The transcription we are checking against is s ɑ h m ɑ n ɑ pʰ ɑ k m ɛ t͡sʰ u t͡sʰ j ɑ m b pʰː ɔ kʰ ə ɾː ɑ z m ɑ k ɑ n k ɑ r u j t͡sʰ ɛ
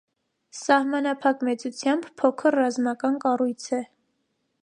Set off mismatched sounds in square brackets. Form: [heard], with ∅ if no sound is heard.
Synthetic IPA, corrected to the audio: s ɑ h m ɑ n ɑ pʰ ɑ k m ɛ [t͡s] u t͡sʰ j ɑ m b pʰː ɔ kʰ ə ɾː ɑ z m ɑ k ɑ n k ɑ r u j t͡sʰ ɛ